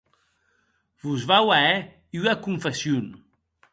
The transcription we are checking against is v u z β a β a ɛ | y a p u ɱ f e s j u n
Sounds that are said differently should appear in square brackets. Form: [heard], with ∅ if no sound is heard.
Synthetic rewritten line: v u z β a [w] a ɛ | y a [k] u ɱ f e s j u n